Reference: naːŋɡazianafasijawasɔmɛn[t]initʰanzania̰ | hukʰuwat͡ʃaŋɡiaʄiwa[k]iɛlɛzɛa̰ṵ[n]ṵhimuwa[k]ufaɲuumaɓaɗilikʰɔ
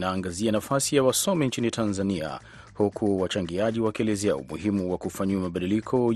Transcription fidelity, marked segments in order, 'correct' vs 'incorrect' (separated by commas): incorrect, correct, incorrect, correct